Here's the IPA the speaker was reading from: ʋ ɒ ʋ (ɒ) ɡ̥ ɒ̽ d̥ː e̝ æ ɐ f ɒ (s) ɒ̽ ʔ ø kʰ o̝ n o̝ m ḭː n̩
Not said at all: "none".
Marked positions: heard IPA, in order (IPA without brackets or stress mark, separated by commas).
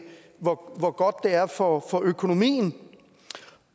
ɒ, f